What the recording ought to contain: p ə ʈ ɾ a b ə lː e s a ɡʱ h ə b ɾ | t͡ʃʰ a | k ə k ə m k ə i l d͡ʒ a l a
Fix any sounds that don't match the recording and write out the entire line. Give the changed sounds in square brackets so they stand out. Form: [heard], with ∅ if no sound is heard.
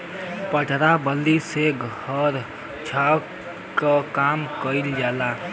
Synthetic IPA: p ə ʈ ɾ a b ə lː [i] s [e] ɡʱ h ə [∅] ɾ | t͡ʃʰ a | k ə k [a] m k ə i l d͡ʒ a l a